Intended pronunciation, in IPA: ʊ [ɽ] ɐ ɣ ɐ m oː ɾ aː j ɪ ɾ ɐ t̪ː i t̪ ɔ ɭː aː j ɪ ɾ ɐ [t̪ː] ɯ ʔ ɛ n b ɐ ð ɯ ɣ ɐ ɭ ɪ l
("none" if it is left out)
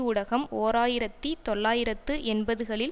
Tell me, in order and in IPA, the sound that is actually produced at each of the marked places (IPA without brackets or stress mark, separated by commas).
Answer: ɽ, t̪ː